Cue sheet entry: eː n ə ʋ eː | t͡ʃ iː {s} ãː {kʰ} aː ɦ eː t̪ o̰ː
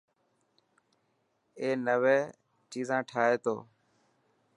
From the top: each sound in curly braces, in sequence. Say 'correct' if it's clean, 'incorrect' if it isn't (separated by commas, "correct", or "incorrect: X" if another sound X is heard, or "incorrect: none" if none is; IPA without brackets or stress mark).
incorrect: z, incorrect: ʈʰ